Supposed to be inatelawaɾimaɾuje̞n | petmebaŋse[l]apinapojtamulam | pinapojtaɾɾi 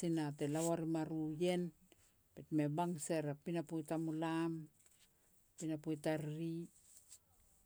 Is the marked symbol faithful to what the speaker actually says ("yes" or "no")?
no